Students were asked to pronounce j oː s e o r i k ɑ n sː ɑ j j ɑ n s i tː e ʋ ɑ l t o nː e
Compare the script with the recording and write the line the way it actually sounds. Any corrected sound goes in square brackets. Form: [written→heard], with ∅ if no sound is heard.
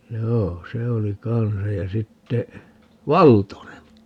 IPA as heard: j oː s e o [r→l] i k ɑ n [sː→s] ɑ j j ɑ [n→∅] s i tː e ʋ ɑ l t o [nː→n] e